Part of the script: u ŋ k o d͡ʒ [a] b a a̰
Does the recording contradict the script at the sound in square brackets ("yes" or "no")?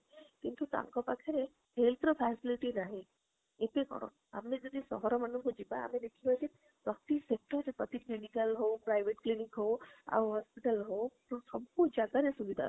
yes